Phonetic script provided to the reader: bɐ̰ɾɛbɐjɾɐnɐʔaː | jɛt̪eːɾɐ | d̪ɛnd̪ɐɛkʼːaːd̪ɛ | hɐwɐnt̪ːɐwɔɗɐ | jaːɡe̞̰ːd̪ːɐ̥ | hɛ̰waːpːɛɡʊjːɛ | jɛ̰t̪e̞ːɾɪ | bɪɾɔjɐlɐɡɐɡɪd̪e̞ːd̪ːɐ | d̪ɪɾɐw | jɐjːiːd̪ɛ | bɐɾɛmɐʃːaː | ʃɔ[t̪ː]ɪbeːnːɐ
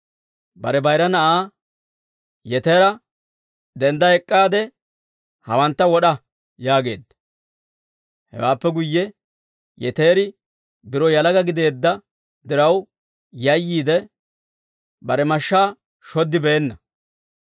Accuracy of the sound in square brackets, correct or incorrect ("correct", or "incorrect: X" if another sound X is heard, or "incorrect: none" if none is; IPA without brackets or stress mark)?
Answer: incorrect: d̪ː